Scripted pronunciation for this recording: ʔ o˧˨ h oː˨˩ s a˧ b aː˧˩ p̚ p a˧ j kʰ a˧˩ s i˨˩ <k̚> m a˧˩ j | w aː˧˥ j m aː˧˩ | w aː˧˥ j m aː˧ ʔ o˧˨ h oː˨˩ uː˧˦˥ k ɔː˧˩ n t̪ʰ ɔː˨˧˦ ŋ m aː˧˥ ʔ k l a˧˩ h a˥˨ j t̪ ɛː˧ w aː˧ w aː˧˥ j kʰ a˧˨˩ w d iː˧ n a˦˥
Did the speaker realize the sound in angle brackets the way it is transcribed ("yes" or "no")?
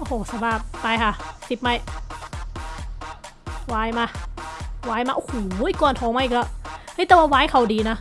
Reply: no